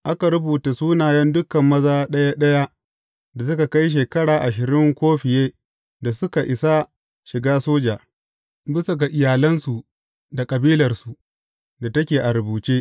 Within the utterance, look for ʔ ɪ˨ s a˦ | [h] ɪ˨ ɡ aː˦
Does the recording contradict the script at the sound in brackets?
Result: yes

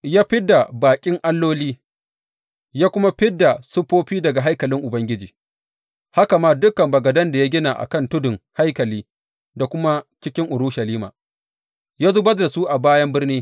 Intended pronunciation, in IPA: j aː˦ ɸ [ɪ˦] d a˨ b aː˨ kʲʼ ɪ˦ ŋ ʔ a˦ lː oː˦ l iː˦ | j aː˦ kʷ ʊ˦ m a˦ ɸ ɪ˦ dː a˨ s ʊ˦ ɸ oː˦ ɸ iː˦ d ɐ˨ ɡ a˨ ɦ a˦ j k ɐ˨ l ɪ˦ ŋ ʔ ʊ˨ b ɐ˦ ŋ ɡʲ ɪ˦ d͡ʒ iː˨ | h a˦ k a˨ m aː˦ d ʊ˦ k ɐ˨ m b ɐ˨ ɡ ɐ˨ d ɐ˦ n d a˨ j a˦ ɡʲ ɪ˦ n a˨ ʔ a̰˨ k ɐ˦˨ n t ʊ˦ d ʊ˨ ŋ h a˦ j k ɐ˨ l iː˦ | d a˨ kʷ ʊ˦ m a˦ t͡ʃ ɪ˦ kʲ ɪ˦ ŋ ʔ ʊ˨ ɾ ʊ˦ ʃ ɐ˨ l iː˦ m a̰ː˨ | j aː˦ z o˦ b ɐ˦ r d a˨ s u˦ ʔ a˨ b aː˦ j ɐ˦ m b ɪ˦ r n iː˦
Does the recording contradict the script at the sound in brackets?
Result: no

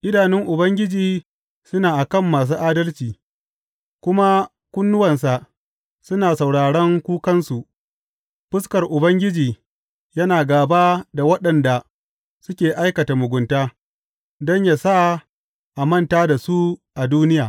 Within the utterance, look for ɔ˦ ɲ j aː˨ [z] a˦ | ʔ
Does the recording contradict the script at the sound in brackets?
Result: yes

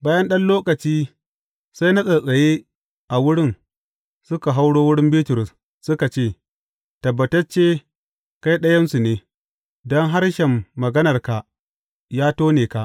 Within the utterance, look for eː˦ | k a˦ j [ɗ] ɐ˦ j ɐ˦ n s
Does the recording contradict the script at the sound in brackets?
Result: no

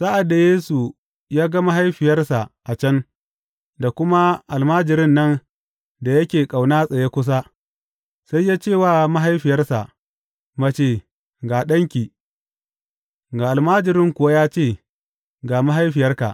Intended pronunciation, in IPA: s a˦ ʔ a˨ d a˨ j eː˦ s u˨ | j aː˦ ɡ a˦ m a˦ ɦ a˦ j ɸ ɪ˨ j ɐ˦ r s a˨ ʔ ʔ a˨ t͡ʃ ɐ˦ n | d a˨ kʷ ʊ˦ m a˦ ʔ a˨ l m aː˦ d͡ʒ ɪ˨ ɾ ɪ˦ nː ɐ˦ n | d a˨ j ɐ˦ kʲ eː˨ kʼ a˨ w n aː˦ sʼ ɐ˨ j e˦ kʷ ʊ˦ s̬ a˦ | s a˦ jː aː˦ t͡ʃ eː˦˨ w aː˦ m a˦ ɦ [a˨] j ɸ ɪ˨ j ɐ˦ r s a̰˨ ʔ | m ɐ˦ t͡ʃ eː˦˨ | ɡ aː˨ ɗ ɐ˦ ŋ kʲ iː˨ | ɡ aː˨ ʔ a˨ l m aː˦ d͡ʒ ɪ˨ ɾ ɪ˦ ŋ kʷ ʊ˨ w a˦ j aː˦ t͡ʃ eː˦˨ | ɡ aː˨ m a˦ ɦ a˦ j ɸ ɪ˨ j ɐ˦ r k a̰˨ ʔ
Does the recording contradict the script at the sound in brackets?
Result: yes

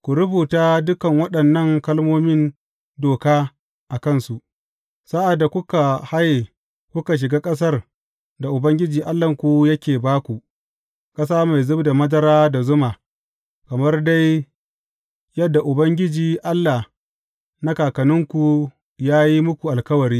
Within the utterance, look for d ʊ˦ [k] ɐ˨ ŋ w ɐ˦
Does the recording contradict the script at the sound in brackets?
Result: no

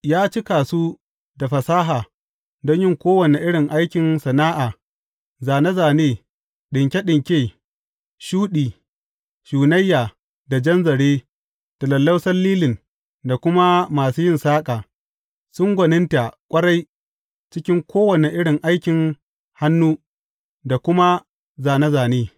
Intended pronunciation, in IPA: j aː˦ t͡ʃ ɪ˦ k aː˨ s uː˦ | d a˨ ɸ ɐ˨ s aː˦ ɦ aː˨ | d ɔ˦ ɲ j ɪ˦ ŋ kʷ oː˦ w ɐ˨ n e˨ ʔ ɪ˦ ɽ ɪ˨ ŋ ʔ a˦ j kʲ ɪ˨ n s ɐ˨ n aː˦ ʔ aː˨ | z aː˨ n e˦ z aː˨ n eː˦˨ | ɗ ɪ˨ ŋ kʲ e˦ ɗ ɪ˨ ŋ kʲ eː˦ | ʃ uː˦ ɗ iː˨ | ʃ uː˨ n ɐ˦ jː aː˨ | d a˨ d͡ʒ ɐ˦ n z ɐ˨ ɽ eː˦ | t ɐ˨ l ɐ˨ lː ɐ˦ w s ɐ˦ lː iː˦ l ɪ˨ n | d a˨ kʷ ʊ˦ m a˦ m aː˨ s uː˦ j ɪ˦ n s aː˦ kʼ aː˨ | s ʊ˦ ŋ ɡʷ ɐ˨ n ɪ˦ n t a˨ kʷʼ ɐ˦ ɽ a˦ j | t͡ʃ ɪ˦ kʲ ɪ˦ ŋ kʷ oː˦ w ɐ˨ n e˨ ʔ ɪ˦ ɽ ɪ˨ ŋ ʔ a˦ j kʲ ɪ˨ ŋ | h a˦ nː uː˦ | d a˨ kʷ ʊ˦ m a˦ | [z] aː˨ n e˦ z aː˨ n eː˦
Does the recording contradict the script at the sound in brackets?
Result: no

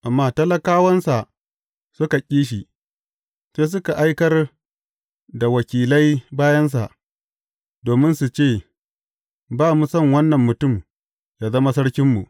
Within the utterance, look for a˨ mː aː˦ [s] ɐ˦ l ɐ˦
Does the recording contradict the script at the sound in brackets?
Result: yes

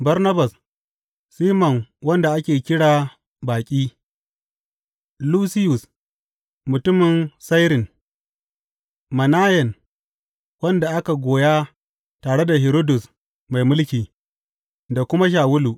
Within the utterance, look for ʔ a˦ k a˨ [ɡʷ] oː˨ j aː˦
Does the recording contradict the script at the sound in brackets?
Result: no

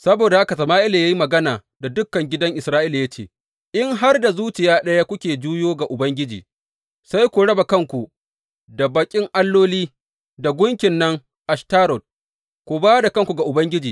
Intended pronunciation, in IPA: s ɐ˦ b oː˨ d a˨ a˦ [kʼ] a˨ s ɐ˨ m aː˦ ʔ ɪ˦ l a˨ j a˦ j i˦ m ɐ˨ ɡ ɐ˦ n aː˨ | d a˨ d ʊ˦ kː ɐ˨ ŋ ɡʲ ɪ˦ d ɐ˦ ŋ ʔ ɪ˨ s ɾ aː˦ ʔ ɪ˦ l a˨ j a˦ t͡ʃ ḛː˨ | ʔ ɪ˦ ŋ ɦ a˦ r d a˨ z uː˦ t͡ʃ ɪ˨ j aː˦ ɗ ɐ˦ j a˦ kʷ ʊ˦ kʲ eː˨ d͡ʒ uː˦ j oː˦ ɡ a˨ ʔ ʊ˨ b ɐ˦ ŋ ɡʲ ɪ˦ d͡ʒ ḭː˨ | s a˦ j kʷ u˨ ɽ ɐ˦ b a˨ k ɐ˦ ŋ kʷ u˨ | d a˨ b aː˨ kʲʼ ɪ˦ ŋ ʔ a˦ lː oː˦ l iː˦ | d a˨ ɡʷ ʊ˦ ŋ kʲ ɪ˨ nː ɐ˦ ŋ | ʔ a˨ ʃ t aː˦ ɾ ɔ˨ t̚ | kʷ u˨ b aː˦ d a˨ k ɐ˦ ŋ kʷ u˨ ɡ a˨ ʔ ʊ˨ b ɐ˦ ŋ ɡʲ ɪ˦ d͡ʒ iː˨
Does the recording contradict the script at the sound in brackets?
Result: yes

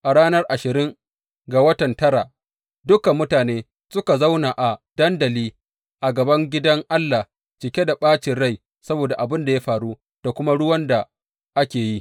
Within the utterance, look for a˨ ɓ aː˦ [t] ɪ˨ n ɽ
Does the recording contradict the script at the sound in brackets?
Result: yes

